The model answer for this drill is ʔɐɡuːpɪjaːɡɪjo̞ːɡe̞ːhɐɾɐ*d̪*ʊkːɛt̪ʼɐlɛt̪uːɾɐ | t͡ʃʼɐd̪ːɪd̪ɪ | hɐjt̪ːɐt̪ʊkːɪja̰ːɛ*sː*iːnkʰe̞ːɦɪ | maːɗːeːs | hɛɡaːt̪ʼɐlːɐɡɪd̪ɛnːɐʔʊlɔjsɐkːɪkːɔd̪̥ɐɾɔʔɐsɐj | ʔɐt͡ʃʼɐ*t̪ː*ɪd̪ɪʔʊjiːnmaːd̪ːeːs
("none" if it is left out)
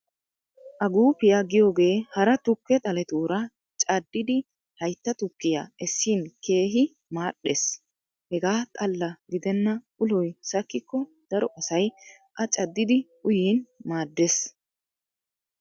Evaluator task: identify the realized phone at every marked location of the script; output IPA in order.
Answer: t̪, sː, d̪ː

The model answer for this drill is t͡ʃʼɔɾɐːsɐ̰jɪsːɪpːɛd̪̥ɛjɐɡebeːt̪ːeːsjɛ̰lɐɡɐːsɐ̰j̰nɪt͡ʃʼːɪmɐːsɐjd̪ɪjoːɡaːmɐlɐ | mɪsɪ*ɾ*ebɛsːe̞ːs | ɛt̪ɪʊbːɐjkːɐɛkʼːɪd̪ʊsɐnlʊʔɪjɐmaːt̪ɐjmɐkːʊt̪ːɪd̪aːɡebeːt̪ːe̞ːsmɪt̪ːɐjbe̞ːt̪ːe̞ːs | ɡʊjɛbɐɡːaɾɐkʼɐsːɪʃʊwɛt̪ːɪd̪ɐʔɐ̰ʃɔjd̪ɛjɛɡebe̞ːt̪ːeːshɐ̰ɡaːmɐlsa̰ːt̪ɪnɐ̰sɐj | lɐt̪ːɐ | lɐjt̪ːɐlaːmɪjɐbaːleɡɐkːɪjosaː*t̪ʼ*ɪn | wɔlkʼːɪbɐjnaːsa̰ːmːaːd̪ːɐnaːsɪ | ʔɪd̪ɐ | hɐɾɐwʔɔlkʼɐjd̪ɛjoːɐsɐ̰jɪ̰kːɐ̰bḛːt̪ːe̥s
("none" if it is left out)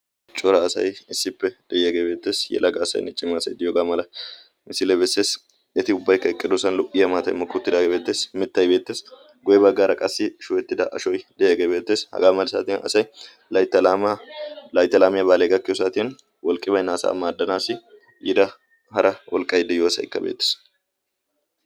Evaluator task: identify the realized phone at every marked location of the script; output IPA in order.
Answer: l, t̪

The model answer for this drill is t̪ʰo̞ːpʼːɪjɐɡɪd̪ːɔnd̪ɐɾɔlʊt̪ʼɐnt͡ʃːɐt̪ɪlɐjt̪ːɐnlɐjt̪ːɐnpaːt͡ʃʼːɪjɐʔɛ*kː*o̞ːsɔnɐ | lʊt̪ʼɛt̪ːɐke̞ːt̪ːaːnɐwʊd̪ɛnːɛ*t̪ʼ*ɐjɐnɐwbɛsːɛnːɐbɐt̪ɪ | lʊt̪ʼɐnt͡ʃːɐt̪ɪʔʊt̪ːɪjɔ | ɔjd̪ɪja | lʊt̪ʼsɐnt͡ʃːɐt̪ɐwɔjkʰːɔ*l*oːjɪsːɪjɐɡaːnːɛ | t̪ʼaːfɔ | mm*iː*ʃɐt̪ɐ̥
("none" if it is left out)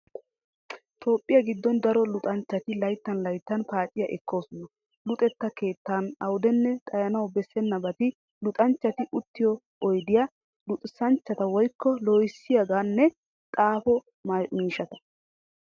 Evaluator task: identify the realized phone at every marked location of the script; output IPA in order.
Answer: kː, t̪ʼ, l, iː

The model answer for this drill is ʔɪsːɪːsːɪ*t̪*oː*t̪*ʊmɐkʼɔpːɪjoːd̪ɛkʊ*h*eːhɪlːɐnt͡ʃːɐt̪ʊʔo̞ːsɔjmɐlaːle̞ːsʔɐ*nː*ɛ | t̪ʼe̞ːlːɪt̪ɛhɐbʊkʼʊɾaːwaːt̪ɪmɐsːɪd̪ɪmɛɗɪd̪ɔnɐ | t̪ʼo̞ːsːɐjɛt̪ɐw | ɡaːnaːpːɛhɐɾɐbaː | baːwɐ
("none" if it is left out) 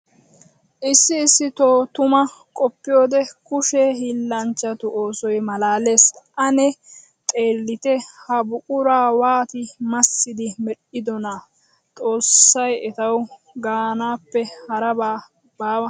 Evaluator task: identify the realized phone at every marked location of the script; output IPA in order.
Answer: t̪, t̪, ʃ, n

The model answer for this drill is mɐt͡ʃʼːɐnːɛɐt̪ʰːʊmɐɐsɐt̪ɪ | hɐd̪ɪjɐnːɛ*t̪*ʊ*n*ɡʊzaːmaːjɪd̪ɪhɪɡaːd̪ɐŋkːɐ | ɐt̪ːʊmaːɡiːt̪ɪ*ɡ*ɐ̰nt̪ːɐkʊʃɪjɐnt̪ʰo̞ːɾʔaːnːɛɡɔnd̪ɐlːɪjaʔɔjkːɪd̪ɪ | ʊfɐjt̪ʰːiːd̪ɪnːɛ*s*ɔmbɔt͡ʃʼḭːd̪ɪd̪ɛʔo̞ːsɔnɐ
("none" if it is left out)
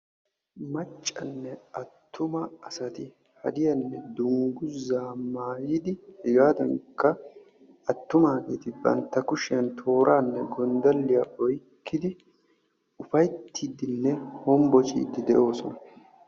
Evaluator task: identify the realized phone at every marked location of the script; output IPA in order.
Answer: d̪, ŋ, b, h

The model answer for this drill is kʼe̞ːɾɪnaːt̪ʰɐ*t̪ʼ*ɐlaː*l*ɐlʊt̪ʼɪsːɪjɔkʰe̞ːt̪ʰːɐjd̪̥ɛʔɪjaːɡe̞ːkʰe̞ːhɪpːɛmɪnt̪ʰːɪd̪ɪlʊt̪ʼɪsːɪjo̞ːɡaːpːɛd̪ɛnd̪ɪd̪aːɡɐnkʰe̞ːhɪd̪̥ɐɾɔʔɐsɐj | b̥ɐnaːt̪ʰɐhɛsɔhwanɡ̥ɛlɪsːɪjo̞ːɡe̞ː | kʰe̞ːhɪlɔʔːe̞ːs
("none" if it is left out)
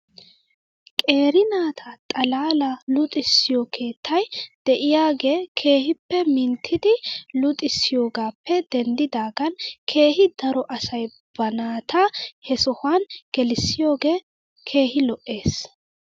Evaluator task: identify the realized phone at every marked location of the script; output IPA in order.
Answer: t̪ʼ, l

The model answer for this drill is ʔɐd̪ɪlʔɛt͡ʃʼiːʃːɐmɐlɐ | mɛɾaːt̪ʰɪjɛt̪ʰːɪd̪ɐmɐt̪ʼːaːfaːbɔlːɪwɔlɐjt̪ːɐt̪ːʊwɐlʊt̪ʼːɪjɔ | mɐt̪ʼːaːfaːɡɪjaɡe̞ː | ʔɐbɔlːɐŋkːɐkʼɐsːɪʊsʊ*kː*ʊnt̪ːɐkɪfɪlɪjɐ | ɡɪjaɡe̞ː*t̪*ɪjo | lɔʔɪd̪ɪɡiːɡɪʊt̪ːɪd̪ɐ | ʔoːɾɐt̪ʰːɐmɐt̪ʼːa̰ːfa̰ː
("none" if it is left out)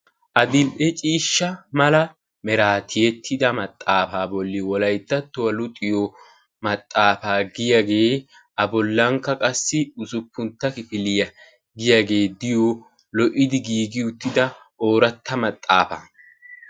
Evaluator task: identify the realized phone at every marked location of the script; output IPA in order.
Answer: pː, d̪

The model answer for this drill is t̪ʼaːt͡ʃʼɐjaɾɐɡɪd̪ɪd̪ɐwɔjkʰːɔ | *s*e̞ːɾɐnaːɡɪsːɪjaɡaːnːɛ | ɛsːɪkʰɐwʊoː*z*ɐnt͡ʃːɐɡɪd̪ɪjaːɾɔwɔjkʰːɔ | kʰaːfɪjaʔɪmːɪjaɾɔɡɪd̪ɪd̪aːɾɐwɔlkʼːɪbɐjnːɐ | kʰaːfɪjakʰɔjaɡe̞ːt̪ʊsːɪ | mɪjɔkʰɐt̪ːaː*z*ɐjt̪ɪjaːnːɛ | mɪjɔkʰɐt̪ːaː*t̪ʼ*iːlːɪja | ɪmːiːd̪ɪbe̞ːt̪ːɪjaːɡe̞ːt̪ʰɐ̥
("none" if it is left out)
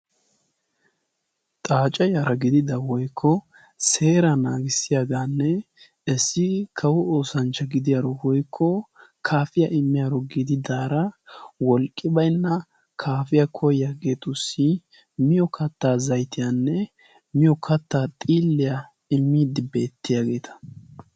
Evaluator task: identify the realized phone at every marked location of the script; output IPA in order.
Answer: s, s, z, t̪ʼ

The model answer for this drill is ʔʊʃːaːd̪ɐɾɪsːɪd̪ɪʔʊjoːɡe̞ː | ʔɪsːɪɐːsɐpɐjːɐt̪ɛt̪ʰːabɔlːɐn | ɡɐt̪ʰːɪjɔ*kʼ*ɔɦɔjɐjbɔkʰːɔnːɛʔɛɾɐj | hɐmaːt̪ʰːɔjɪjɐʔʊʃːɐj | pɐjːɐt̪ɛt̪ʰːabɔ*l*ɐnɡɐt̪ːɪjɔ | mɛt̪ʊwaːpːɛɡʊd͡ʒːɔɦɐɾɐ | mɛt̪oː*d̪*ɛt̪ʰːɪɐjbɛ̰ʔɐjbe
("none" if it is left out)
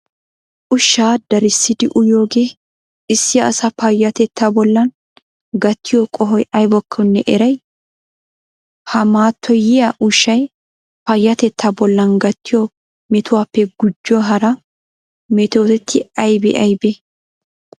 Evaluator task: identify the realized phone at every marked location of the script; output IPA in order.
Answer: kʼ, lː, t̪

